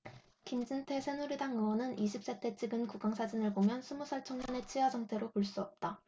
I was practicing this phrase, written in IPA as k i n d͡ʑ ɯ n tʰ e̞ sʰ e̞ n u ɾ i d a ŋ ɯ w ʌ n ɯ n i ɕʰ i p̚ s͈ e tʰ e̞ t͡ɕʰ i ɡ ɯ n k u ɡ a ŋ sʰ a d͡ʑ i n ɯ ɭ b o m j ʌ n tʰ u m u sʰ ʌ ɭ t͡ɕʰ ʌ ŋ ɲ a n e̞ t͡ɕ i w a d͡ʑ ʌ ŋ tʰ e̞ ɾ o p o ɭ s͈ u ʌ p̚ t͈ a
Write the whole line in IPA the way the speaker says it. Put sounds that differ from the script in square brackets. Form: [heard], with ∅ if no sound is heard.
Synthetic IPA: k i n d͡ʑ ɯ n tʰ e̞ sʰ e̞ n u ɾ i d a ŋ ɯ w ʌ n ɯ n i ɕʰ i p̚ s͈ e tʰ e̞ t͡ɕʰ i ɡ ɯ n k u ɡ a ŋ sʰ a d͡ʑ i n ɯ ɭ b o m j ʌ n [sʰ] u m u sʰ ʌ ɭ t͡ɕʰ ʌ ŋ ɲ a n e̞ [t͡ɕʰ] i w a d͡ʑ ʌ ŋ tʰ e̞ ɾ o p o ɭ s͈ u ʌ p̚ t͈ a